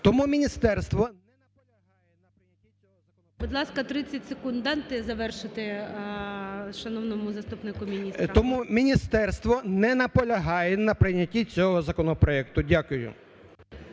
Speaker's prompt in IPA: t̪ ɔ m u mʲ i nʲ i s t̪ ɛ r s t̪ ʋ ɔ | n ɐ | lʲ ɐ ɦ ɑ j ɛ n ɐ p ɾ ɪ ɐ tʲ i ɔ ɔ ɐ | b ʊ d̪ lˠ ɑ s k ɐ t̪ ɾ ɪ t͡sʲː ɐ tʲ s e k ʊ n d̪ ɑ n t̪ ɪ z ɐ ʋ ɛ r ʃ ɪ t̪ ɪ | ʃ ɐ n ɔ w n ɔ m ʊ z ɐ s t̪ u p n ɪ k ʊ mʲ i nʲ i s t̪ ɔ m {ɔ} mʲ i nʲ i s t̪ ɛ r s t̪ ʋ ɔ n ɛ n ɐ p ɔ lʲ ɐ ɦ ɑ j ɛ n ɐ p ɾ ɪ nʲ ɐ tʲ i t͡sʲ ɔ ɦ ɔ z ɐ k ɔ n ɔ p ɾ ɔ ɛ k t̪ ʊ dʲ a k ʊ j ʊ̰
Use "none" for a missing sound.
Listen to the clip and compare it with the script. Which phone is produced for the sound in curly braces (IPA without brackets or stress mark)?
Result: u